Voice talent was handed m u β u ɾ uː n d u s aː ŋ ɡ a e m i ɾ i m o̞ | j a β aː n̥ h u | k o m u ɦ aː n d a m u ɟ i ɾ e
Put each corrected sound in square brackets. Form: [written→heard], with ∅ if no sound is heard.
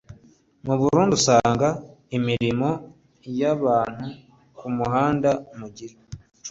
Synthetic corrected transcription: m u β u ɾ uː n d u s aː ŋ ɡ a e m i ɾ i m o̞ | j a β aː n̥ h u | k [o→u] m u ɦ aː n d a m u ɟ i ɾ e